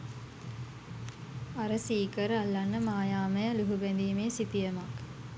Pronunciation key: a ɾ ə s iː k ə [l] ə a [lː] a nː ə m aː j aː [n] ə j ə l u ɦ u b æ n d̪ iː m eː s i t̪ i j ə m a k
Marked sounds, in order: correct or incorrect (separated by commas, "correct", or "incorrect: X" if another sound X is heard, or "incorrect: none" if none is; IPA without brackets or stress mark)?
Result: incorrect: ɾ, correct, incorrect: m